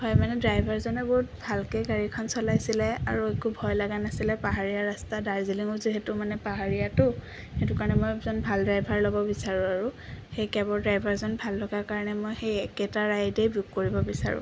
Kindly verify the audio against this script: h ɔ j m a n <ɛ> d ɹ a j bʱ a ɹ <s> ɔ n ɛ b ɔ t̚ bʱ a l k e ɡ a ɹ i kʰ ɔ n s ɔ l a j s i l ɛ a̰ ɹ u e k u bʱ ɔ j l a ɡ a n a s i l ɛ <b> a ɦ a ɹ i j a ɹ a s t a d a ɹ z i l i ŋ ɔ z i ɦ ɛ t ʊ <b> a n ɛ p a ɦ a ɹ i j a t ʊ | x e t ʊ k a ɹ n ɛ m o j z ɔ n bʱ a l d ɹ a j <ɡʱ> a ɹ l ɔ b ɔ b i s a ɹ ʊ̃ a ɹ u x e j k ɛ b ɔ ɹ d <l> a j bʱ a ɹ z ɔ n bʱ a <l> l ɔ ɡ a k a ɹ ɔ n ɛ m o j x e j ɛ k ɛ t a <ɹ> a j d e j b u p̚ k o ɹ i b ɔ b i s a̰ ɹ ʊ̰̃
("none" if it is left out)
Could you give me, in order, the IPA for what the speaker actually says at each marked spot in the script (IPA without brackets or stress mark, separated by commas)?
ɛ, z, p, m, bʱ, ɹ, l, ɹ